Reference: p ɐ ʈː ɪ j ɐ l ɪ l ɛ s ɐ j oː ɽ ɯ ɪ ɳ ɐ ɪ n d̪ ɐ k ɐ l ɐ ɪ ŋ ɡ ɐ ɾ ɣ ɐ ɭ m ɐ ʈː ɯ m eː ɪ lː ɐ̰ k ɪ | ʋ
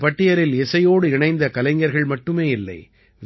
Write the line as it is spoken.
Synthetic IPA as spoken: p ɐ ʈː ɪ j ɐ ɾ ɪ l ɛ s ɐ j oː ɽ ɯ ɪ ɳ ɐ ɪ n d̪ ɐ k ɐ l ɐ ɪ ŋ ɡ ɐ ɾ ɣ ɐ ɭ m ɐ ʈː ɯ m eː ɪ lː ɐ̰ ɪ | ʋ

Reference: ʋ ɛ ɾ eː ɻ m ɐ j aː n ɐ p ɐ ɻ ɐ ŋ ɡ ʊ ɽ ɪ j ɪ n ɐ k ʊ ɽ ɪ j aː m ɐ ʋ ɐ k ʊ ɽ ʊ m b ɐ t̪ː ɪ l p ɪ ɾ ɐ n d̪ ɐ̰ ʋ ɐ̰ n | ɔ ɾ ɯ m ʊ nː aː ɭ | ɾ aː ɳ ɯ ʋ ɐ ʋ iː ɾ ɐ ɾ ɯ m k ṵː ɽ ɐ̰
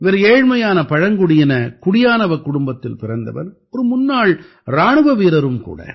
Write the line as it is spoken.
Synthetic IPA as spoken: ʋ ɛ ɾ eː ɻ m ɐ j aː n ɐ p ɐ ɻ ɐ ŋ ɡ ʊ ɽ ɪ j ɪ n ɐ k ʊ ɽ ɪ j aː n ɐ ʋ ɐ k ʊ ɽ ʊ m b ɐ t̪ː ɪ l p ɪ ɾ ɐ n d̪ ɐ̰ ʋ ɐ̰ n | ɔ ɾ ɯ m ʊ nː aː ɭ | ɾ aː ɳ ɯ ʋ ɐ ʋ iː ɾ ɐ ɾ ɯ m k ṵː ɽ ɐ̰

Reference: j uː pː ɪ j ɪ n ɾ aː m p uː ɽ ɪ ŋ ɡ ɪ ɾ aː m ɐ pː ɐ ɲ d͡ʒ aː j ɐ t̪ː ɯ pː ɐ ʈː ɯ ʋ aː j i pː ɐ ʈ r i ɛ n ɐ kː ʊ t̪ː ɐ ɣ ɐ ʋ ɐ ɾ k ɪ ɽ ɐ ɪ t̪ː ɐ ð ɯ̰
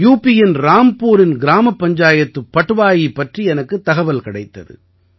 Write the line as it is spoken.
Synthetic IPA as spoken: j uː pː ɪ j ɪ n ɾ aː m p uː ɾ ɪ n ɡ ɪ ɾ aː m ɐ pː ɐ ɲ d͡ʒ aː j ɐ t̪ː ɯ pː ɐ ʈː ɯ ʋ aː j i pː ɐ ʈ r i ɛ n ɐ kː ɯ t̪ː ɐ ɣ ɐ ʋ ɐ l k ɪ ɽ ɐ ɪ t̪ː ɐ ð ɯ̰

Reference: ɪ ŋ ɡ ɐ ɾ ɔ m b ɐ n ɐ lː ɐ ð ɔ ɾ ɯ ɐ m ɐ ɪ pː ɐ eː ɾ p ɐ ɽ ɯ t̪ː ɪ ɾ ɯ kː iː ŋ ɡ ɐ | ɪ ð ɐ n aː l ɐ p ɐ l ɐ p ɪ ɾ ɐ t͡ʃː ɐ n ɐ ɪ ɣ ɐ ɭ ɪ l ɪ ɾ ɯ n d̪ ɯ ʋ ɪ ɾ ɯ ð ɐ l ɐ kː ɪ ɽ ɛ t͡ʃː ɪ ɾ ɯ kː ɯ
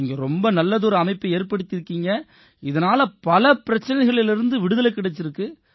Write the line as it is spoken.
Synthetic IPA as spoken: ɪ ŋ ɡ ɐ ɾ ɔ m b ɐ n ɐ lː ɐ ð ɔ ɾ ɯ ɐ m ɐ ɪ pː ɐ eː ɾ p ɐ ɽ ɯ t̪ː ɪ ɾ ɯ kː iː ŋ ɡ ɐ | ɪ ð ɐ n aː l ɐ p ɐ l ɐ p ɪ ɾ ɐ t͡ʃː ɐ n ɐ ɪ ɣ ɐ ɭ ɪ l ɪ ɾ ɯ n d̪ ɯ ʋ ɪ ɽ ɯ ð ɐ l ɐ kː ɪ ɽ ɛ t͡ʃː ɪ ɾ ɯ kː ɯ

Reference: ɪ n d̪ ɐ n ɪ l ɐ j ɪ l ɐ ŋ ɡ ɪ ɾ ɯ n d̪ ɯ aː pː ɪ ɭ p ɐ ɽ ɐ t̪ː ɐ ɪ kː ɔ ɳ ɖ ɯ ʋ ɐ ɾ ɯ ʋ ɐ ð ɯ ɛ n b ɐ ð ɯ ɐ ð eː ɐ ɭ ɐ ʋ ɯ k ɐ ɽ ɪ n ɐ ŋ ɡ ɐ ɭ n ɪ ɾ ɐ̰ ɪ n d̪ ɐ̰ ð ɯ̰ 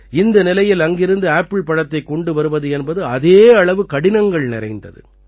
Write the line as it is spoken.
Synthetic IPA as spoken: ɪ n d̪ ɐ n ɪ l ɐ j ɪ l ɐ ŋ ɡ ɪ ɾ ɯ n d̪ ɯ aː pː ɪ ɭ p ɐ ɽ ɐ t̪ː ɐ ɪ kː ɔ ɳ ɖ ɯ ʋ ɐ ɾ ɯ ʋ ɐ ð ɯ ɛ n b ɐ ð ɯ ɐ ð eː ɐ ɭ ɐ ʋ ɯ k ɐ ɽ ɪ n ɐ ŋ ɡ ɐ ɭ n ɪ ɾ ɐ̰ ɪ n d̪ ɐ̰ ð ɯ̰

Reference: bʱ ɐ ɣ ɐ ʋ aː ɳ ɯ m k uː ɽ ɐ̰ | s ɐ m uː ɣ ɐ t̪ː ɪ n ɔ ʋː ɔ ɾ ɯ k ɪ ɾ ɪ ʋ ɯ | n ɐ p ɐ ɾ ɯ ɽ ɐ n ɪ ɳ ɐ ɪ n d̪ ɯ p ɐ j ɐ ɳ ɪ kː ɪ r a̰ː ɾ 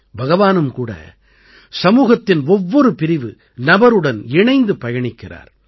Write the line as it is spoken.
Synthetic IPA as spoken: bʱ ɐ ɣ ɐ ʋ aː n ɯ m k uː ɽ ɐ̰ | s ɐ m uː ɣ ɐ t̪ː ɪ n ɔ ʋː ɔ ɾ ɯ p ɪ ɾ ɪ ʋ ɯ | n ɐ b ɐ ɾ ɯ ɽ ɐ n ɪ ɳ ɐ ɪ n d̪ ɯ p ɐ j ɐ ɳ ɪ kː ɪ r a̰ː ɾ

